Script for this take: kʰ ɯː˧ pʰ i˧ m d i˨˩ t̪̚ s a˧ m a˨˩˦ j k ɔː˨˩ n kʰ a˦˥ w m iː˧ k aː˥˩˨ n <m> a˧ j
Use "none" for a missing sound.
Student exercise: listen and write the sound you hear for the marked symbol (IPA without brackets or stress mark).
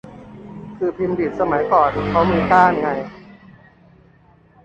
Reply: ŋ